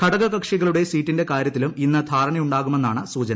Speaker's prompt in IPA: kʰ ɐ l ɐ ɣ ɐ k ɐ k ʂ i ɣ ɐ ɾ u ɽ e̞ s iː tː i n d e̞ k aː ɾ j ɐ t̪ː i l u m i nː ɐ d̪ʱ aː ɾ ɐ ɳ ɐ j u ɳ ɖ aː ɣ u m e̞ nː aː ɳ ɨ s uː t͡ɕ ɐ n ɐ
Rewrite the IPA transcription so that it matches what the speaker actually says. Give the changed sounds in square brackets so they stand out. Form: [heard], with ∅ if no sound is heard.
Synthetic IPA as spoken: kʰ ɐ [ɽ] ɐ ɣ ɐ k ɐ k ʂ i ɣ ɐ [ɭ] u ɽ e̞ s iː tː i n d e̞ k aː ɾ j ɐ t̪ː i l u m i nː ɐ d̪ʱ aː ɾ ɐ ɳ ɐ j u ɳ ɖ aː ɣ u m e̞ nː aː ɳ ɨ s uː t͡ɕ ɐ n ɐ